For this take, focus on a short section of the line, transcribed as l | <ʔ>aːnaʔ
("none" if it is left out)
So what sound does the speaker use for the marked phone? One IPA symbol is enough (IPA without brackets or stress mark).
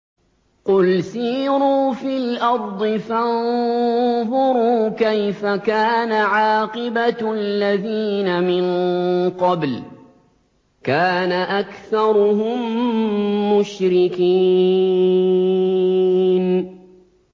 k